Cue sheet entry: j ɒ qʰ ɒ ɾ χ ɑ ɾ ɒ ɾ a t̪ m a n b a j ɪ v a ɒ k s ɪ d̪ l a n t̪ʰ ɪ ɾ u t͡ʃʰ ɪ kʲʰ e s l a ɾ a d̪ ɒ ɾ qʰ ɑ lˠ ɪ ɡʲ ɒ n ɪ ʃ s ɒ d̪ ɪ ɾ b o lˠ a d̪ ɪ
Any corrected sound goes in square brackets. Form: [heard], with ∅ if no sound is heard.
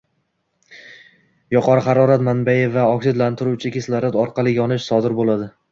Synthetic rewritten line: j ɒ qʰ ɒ ɾ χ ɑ ɾ ɒ ɾ a t̪ m a n b a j ɪ v a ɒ k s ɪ d̪ l a n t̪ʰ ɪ ɾ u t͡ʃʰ ɪ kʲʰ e s l a ɾ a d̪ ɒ ɾ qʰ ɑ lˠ ɪ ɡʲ ɒ n ɪ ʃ s ɒ d̪ ɪ ɾ b o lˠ a d̪ ɪ